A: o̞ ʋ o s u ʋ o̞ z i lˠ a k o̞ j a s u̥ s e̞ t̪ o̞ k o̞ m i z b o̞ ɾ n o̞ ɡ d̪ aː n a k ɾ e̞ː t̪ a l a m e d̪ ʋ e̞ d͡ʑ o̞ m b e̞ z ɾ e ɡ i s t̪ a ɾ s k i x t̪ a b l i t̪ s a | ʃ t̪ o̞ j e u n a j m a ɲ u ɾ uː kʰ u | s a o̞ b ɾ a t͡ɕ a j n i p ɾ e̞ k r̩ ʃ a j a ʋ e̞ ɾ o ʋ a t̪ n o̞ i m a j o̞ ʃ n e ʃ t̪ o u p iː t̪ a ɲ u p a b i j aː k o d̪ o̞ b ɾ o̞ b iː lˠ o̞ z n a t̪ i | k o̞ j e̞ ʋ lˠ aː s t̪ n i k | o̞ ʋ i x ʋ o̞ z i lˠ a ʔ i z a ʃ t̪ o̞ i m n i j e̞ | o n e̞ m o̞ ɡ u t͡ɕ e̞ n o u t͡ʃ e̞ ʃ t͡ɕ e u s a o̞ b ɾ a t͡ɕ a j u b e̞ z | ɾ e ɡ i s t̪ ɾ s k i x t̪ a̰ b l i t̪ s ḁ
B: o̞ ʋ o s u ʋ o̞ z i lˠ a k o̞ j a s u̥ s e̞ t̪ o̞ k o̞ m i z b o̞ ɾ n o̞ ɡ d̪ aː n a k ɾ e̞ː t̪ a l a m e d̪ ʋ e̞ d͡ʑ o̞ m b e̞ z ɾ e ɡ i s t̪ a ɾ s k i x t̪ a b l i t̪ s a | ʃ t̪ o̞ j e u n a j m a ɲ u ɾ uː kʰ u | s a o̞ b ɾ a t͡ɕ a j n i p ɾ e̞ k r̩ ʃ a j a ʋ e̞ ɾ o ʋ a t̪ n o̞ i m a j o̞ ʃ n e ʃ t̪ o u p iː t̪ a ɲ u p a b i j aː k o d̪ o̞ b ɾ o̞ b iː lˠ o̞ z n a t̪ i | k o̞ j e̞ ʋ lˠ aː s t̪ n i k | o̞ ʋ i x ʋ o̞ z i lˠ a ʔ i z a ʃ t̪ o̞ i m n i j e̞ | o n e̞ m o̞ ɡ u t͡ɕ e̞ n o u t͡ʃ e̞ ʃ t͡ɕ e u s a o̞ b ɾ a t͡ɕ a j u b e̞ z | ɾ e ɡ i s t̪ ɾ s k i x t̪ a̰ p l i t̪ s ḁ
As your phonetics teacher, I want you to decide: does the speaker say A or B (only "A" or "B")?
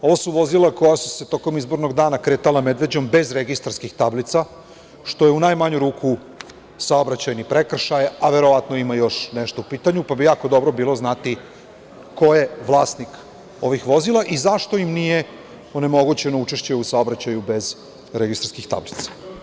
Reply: A